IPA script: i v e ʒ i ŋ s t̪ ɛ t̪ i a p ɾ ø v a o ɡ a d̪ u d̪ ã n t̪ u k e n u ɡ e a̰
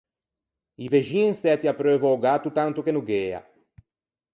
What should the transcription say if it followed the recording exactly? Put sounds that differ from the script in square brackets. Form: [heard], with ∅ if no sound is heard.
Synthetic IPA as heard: i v e ʒ i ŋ s t̪ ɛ t̪ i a p ɾ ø v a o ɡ a [t̪] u [t̪] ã n t̪ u k e n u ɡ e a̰